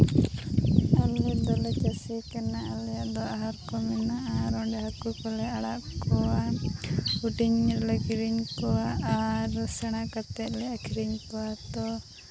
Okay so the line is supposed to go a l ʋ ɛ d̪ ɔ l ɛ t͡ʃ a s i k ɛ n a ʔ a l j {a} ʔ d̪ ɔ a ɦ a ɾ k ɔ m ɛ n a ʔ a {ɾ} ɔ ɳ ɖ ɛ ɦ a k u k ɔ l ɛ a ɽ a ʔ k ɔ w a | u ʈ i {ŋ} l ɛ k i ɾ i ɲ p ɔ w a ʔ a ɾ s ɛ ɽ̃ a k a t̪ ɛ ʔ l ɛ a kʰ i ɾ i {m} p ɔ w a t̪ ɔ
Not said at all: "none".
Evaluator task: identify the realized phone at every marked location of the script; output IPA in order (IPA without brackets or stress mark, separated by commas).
a, ɾ, ɲ, ɲ